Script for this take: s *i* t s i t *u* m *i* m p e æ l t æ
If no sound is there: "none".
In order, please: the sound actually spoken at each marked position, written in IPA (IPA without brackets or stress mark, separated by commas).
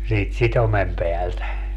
iː, o, e